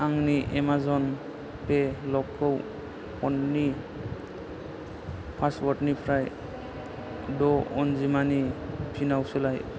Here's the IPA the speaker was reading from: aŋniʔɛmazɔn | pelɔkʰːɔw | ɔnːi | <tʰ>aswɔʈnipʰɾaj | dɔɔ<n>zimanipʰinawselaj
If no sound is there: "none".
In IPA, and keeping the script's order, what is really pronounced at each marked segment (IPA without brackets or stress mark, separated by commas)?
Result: pʰ, n